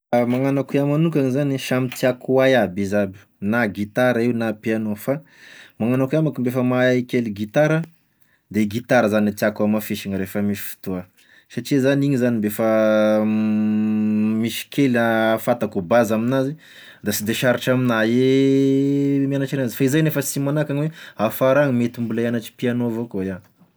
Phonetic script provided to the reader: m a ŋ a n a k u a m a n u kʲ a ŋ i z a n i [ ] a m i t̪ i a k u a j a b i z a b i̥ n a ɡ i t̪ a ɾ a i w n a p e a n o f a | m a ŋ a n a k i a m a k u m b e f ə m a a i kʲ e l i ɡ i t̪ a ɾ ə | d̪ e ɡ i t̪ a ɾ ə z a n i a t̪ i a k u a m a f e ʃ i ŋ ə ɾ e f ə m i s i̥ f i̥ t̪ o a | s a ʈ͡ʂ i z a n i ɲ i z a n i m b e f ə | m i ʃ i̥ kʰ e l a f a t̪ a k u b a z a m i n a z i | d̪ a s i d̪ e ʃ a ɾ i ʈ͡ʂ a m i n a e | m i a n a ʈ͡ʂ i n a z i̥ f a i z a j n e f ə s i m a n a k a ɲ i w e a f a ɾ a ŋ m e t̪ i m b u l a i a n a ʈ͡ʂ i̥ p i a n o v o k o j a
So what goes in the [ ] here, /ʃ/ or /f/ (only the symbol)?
ʃ